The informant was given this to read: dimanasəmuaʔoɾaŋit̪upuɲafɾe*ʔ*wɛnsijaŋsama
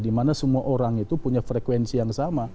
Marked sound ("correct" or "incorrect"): incorrect